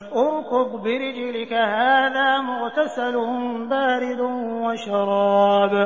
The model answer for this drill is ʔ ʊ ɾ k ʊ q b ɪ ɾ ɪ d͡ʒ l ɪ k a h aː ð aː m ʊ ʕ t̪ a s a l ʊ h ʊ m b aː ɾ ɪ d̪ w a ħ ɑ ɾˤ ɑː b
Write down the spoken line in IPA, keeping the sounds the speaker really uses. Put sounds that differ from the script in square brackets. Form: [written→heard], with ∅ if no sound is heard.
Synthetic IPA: ʔ ʊ ɾ k ʊ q b ɪ ɾ ɪ d͡ʒ l ɪ k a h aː ð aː m ʊ [ʕ→ɣ] t̪ a s a l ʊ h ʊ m b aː ɾ ɪ d̪ w a [ħ→ʃ] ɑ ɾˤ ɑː b